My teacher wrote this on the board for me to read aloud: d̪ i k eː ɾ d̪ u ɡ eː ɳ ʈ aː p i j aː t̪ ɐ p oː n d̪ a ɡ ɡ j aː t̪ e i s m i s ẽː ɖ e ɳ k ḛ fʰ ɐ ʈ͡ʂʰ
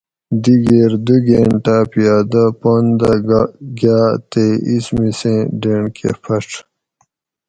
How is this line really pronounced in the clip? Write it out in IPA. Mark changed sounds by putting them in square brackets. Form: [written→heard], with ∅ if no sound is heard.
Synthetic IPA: d̪ i [k→ɡ] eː ɾ d̪ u ɡ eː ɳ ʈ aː p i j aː [t̪→d̪] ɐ p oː n d̪ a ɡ ɡ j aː t̪ e i s m i s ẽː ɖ e ɳ k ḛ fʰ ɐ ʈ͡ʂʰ